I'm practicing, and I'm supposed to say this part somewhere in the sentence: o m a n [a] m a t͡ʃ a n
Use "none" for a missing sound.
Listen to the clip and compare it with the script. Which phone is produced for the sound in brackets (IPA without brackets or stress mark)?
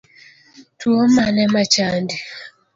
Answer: ɛ